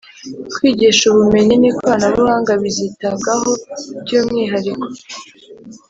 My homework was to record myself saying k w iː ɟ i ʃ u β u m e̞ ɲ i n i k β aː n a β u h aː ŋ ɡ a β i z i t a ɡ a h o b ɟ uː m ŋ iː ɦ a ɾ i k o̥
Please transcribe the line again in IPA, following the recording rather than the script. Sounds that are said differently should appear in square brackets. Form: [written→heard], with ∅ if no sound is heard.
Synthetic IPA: k w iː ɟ i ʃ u β u m e̞ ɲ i n i k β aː n a β u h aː ŋ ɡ a β i z i t a ɡ a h o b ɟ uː m ŋ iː ɦ a ɾ i k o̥

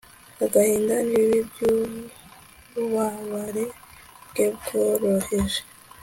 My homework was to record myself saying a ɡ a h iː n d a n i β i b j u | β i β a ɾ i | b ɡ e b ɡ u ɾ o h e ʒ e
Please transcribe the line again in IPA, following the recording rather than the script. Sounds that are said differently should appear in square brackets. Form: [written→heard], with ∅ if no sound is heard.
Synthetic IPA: a ɡ a h iː n d a n i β i b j u | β [i→a] β a ɾ [i→e] | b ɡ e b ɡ [u→o] ɾ o h e ʒ e

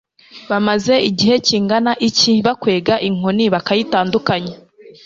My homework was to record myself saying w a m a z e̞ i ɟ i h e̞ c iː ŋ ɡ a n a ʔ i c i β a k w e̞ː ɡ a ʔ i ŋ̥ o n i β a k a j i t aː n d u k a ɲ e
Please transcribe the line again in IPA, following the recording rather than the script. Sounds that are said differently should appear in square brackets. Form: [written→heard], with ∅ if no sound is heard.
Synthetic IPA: [w→β] a m a z e̞ i ɟ i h e̞ c iː ŋ ɡ a n a ʔ i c i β a k w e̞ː ɡ a ʔ i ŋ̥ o n i β a k a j i t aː n d u k a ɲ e

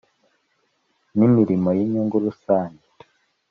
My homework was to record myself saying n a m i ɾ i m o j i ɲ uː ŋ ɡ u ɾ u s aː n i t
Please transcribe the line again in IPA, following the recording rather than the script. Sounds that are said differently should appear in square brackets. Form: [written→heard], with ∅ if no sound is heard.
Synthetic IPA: n [a→i] m i ɾ i m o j i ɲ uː ŋ ɡ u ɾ u s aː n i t

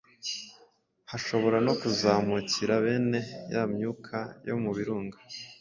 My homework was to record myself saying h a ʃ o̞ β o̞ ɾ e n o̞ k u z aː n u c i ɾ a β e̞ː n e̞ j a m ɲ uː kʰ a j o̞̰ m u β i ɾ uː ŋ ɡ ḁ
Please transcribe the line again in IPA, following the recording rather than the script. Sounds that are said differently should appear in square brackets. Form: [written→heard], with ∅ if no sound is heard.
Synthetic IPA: h a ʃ o̞ β o̞ ɾ [e→a] n o̞ k u z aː [n→m] u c i ɾ a β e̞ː n e̞ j a m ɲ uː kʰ a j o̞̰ m u β i ɾ uː ŋ ɡ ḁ

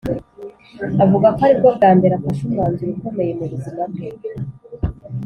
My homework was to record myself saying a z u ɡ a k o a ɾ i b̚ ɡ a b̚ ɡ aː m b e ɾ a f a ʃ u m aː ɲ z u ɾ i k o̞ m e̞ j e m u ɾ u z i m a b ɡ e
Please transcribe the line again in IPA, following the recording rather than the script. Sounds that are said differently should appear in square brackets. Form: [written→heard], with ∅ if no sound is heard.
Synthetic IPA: a [z→v] u ɡ a k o a ɾ i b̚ ɡ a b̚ ɡ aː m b e ɾ a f a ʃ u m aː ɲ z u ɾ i k o̞ m e̞ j e m u ɾ u z i m a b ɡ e

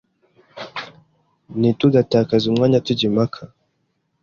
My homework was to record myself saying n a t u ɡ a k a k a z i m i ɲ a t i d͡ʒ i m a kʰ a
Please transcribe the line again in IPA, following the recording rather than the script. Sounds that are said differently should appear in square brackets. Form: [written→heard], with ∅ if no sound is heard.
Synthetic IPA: n [a→i] t u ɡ a [k→t] a k a z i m [i→a] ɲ a t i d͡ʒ i m a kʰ a

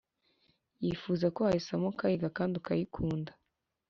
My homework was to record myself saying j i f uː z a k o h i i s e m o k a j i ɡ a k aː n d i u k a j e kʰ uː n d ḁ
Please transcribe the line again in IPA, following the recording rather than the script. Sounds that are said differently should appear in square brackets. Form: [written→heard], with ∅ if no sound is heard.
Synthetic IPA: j i f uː z a k o h [i→a] i s [e→a] m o k a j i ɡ a k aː n d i u k a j [e→i] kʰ uː n d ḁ

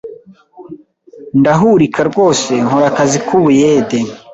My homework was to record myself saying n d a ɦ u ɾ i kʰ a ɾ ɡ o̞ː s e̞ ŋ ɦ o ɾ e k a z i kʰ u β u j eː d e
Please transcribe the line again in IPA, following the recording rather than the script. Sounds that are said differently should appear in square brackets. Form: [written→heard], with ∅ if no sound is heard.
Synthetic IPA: n d a ɦ u ɾ i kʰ a ɾ ɡ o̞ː s e̞ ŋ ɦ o ɾ [e→a] k a z i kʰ u β u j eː d e

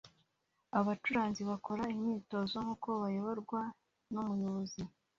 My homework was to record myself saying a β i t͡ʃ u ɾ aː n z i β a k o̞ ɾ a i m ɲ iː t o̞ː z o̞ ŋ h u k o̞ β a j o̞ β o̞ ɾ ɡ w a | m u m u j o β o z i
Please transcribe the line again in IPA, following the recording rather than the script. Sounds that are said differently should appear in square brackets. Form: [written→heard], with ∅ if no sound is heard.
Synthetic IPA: a β [i→a] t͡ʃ u ɾ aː n z i β a k o̞ ɾ a i m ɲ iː t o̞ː z o̞ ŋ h u k o̞ β a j o̞ β o̞ ɾ ɡ w a | [m→n] u m u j o β o z i

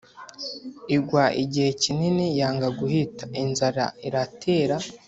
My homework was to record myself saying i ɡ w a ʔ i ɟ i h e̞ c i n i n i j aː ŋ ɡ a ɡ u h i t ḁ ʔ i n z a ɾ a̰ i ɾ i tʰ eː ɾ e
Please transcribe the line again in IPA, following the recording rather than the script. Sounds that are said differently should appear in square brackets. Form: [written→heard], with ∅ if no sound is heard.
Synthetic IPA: i ɡ w a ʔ i ɟ i h e̞ c i n i n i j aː ŋ ɡ a ɡ u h i t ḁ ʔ i n z a ɾ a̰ i ɾ [i→a] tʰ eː ɾ [e→a]

